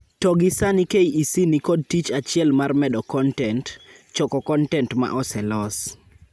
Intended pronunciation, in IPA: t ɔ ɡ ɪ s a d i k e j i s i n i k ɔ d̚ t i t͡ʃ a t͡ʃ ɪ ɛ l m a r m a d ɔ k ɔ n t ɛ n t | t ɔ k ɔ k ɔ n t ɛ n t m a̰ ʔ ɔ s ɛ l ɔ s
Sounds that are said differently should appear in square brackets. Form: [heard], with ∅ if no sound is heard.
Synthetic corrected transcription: t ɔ ɡ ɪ s a [n] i k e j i s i n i k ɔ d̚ t i t͡ʃ a t͡ʃ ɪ ɛ l m a r m [ɛ] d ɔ k ɔ n t ɛ n t | [t͡ʃ] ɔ k ɔ k ɔ n t ɛ n t m a̰ ʔ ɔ s ɛ l ɔ s